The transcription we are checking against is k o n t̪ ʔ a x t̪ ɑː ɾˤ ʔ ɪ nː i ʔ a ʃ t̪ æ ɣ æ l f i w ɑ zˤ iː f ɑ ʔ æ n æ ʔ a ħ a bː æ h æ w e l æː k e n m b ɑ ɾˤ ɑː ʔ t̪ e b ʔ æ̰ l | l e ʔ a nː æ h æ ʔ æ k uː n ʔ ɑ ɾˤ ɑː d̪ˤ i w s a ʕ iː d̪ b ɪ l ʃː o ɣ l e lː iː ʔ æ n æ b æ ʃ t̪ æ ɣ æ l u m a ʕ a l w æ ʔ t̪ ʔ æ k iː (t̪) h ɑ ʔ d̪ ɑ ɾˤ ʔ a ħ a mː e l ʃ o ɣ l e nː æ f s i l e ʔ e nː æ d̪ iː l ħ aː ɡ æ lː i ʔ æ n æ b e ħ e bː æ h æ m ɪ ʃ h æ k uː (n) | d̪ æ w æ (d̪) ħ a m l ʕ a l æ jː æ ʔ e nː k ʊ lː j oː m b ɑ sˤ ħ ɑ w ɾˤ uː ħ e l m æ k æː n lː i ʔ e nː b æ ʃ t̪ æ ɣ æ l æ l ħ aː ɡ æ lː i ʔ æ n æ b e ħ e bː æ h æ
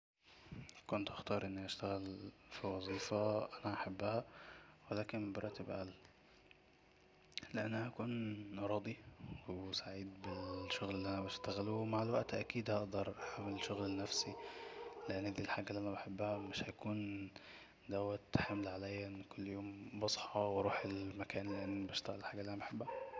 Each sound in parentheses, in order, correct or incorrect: incorrect, correct, incorrect

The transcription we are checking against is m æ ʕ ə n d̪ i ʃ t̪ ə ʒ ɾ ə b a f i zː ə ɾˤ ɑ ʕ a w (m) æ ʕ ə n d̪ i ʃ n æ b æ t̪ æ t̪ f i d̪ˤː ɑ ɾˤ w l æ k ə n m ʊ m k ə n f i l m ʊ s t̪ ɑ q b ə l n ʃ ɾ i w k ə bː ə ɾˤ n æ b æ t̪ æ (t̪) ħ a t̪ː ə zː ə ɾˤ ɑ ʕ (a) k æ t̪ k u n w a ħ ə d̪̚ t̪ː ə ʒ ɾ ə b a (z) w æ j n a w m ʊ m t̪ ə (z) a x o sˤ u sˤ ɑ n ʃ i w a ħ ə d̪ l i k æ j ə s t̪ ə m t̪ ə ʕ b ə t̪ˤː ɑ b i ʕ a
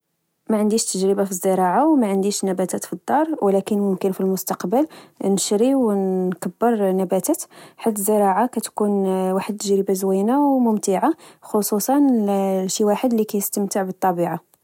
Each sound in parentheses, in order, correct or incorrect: correct, correct, correct, correct, incorrect

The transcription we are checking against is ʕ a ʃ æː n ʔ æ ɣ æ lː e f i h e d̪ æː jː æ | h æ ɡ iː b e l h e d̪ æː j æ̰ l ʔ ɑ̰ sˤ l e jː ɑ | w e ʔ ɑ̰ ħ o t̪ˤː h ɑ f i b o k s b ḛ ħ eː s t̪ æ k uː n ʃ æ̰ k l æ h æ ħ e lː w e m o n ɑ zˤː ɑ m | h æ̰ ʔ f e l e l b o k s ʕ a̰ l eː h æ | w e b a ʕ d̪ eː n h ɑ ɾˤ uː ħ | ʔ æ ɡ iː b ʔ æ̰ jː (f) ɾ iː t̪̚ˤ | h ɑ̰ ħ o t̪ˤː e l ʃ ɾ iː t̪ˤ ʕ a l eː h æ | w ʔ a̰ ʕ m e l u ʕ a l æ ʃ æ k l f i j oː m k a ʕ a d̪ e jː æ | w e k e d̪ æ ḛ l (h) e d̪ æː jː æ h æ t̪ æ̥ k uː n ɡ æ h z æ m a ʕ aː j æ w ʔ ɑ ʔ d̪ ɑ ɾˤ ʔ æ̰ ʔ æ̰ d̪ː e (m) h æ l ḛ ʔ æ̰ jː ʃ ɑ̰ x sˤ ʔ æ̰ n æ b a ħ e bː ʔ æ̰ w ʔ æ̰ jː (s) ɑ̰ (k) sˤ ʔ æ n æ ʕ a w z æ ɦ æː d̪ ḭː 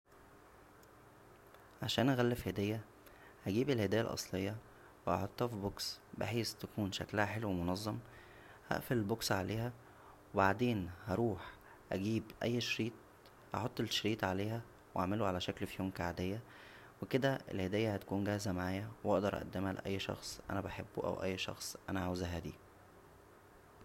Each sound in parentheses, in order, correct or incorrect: incorrect, correct, correct, incorrect, incorrect

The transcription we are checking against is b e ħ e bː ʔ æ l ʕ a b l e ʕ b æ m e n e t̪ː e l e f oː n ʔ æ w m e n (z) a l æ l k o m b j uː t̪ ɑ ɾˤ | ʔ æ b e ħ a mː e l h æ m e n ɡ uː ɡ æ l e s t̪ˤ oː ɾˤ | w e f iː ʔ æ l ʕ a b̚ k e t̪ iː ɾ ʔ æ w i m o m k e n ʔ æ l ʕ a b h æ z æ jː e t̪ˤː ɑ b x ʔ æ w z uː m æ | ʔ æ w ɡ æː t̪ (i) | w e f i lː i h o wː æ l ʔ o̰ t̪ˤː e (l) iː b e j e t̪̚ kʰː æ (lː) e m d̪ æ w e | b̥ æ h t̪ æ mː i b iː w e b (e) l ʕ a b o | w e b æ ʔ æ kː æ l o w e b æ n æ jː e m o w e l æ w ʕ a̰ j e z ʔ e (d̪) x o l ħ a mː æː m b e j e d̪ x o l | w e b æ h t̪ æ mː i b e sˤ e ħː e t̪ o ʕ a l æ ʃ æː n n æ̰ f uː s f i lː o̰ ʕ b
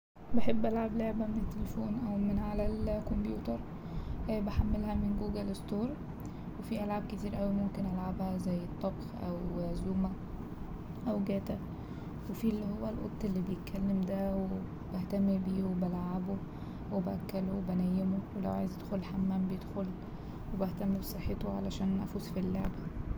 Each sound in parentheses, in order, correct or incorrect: incorrect, incorrect, incorrect, correct, incorrect, correct

